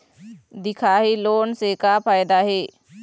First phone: d̪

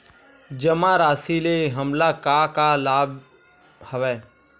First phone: d͡ʒ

